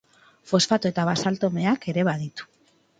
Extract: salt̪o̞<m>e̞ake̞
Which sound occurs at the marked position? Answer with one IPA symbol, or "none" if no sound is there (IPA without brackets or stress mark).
m